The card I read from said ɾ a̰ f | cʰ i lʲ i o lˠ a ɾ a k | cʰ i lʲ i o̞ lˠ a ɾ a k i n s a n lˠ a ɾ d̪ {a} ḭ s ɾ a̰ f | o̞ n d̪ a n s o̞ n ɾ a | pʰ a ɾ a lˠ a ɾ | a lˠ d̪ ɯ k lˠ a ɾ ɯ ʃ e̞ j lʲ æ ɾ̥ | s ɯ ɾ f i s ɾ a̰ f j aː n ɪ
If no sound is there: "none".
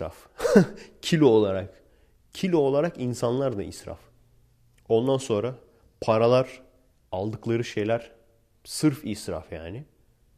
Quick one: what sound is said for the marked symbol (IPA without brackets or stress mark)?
a